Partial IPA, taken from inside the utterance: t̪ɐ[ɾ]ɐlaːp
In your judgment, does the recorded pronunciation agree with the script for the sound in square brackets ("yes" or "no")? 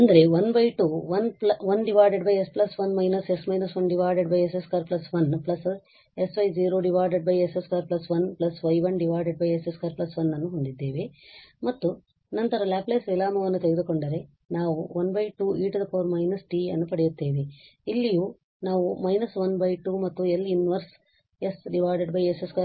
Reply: yes